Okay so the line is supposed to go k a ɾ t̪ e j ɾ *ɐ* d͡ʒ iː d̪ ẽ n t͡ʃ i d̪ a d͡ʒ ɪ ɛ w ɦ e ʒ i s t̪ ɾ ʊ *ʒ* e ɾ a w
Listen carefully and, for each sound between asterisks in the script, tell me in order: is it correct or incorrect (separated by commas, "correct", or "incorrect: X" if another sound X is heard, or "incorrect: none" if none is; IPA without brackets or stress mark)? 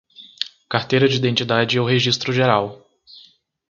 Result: correct, correct